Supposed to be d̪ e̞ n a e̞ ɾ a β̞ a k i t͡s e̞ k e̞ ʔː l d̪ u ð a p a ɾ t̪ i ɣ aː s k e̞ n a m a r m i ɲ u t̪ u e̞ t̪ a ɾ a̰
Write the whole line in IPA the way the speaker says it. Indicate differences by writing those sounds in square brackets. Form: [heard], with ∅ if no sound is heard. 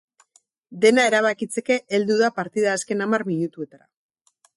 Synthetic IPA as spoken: d̪ e̞ n a e̞ ɾ a β̞ a k i t͡s e̞ k e̞ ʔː l d̪ u ð a p a ɾ t̪ i [ð] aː s k e̞ n a m a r m i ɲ u t̪ u e̞ t̪ a ɾ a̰